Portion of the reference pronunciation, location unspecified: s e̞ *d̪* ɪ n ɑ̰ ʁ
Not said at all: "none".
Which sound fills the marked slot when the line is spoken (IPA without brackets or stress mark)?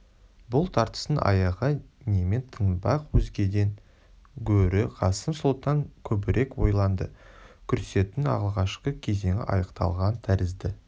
t̪